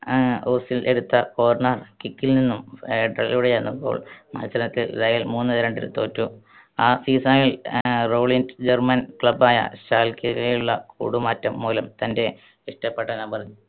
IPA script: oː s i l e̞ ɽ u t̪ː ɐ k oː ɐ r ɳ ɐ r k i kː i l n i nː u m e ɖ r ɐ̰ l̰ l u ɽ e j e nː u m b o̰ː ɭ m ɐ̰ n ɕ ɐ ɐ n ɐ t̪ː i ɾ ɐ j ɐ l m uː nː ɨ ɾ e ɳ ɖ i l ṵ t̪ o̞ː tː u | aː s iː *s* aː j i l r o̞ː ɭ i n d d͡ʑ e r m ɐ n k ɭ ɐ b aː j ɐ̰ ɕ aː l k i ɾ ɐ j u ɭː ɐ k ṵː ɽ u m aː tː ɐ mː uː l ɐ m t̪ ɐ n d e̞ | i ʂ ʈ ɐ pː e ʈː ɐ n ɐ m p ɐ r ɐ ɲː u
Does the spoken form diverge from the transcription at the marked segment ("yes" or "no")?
no